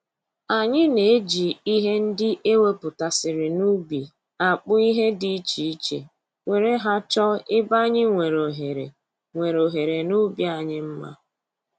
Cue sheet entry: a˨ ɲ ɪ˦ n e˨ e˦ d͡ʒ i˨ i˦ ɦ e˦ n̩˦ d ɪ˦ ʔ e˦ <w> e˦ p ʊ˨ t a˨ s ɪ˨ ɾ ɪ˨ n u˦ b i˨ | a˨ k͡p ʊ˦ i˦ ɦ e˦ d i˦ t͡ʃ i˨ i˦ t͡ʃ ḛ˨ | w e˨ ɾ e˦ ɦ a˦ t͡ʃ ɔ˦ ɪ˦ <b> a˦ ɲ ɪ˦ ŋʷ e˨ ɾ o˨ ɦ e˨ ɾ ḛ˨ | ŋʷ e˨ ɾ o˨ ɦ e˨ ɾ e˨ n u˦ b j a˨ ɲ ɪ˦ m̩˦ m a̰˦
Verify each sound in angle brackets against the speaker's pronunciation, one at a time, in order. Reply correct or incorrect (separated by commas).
correct, correct